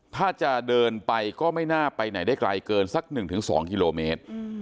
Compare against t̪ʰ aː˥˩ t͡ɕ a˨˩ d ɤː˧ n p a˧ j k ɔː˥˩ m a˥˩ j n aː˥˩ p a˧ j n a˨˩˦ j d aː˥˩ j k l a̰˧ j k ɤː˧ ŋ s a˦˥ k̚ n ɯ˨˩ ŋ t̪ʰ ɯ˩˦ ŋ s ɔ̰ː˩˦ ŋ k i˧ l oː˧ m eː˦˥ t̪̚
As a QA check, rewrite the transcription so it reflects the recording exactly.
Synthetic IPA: t̪ʰ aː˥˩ t͡ɕ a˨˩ d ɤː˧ n p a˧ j k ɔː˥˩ m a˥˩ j n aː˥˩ p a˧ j n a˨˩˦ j d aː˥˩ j k l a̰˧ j k ɤː˧ n s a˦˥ k̚ n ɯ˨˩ ŋ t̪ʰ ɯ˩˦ ŋ s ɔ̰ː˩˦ ŋ k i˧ l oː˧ m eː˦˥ t̪̚